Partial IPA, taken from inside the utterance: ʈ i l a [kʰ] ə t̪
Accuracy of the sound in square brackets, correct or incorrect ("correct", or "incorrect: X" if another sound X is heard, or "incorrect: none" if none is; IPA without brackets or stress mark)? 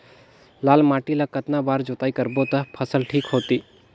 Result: incorrect: k